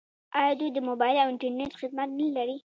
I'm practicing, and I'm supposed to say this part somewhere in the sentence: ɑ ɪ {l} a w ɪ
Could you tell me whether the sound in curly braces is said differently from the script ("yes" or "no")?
no